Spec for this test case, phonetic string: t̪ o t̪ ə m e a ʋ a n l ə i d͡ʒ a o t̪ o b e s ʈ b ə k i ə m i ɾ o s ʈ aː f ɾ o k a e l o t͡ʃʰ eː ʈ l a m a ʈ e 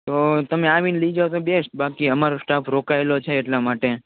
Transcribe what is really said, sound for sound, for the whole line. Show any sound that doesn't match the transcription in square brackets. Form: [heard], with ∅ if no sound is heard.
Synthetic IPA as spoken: t̪ o t̪ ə m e a ʋ [i] n l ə i d͡ʒ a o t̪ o b e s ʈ b [a] k i ə m [a] ɾ o s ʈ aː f ɾ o k a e l o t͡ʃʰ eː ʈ l a m a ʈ e